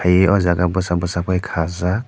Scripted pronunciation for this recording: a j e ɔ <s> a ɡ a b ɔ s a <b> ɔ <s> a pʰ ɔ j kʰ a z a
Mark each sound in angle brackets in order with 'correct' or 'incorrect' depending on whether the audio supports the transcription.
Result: incorrect: z, correct, correct

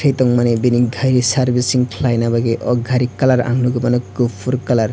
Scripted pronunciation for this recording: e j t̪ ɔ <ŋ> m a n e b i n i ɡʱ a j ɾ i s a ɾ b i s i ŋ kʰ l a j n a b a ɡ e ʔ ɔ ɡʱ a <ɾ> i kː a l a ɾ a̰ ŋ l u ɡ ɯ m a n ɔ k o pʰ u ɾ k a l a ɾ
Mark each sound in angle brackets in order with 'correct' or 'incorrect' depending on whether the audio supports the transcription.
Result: correct, correct

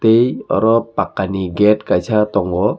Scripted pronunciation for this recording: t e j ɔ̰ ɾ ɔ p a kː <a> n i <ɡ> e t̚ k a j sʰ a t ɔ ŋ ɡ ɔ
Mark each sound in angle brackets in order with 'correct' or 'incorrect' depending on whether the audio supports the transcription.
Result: correct, correct

